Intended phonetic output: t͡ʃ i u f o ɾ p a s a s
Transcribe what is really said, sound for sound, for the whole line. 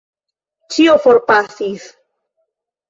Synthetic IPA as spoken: t͡ʃ i o f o ɾ p a s i s

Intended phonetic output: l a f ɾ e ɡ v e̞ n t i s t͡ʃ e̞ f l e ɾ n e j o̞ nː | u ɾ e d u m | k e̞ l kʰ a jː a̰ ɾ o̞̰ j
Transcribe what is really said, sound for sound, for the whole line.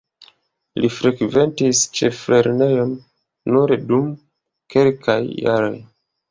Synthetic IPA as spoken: l i f ɾ e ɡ v e̞ n t i s t͡ʃ e̞ f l e ɾ n e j o̞ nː | u ɾ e d u m | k e̞ l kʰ a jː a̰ ɾ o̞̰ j

